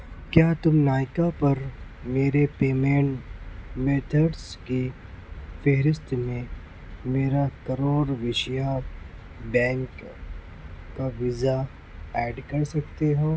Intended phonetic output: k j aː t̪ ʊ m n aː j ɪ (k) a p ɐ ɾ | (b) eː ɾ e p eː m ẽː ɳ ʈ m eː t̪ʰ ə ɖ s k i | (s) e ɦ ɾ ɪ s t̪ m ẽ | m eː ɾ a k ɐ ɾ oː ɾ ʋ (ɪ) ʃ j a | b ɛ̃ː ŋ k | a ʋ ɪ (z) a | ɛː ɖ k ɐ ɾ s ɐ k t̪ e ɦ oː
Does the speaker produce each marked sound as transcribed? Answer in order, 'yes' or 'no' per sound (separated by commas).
yes, no, no, yes, yes